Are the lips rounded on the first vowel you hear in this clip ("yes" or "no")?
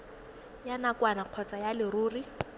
no